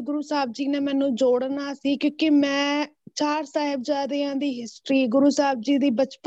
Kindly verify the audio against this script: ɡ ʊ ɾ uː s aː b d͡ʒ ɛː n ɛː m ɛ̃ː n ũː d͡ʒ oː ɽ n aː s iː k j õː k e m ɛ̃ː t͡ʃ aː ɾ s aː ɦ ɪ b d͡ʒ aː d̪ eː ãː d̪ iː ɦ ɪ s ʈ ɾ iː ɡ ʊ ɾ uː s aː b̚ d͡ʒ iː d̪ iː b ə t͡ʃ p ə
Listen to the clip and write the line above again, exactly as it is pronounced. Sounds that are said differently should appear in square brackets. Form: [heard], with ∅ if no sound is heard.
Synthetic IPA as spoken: ɡ ʊ ɾ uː s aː b d͡ʒ [iː] n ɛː m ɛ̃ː n ũː d͡ʒ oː ɽ n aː s iː k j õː k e m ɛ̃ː t͡ʃ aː ɾ s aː ɦ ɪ b d͡ʒ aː d̪ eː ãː d̪ iː ɦ ɪ s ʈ ɾ iː ɡ ʊ ɾ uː s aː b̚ d͡ʒ iː d̪ iː b ə t͡ʃ p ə